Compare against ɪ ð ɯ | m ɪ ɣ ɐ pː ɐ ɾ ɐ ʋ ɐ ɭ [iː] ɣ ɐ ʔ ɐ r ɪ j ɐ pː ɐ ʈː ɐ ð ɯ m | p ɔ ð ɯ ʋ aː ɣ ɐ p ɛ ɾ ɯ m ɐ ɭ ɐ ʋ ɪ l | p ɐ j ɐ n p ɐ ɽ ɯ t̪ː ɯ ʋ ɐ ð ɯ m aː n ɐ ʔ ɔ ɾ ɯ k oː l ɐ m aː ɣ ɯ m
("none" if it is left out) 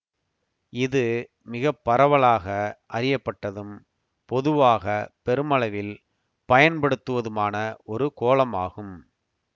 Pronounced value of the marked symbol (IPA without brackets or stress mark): aː